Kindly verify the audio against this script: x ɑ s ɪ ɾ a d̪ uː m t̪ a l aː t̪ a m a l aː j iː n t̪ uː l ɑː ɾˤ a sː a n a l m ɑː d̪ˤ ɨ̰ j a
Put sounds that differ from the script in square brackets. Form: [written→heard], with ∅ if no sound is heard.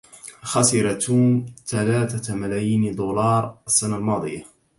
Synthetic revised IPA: x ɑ s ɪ ɾ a [d̪→t̪] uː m t̪ a l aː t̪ a m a l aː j iː n [t̪→d̪] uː l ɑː ɾˤ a sː a n a l m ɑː d̪ˤ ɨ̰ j a

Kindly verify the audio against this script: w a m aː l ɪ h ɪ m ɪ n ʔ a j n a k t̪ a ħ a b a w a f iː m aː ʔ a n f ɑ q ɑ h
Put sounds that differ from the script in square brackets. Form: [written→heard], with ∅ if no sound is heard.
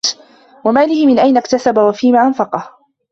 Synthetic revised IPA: w a m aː l ɪ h ɪ m ɪ n ʔ a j n a k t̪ a [ħ→s] a b a w a f iː m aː ʔ a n f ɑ q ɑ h

